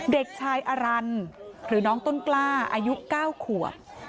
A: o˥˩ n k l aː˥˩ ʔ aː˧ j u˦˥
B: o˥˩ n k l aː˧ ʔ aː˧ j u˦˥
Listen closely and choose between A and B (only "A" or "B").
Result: A